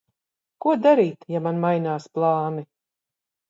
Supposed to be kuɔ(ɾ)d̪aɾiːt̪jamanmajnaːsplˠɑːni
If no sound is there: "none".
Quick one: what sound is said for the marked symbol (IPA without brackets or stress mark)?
none